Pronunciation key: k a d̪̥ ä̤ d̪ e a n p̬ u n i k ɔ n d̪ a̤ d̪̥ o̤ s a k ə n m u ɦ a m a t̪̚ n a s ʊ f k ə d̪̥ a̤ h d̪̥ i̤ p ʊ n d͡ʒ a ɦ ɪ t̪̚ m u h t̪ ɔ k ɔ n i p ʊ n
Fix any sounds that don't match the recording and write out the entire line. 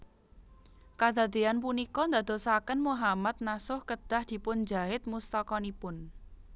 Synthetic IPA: k a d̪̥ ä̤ d̪ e a n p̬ u n i k ɔ n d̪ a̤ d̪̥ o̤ s a k ə n m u ɦ a m a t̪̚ n a s ʊ h k ə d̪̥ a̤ h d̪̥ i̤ p ʊ n d͡ʒ a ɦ ɪ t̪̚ m u s t̪ ɔ k ɔ n i p ʊ n